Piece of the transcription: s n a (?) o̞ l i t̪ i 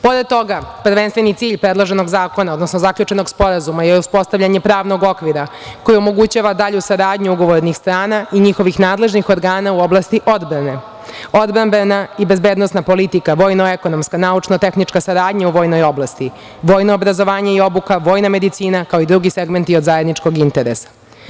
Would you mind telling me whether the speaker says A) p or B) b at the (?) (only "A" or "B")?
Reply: A